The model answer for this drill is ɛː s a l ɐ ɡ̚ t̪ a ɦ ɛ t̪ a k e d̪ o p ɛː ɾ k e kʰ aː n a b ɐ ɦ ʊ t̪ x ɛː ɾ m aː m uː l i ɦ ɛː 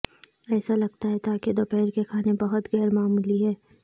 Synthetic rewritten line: ɛː s a l ɐ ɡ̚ t̪ a ɦ ɛ t̪ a k e d̪ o p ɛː ɾ k e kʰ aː n e b ɐ ɦ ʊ t̪ ɣ ɛː ɾ m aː m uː l i ɦ ɛː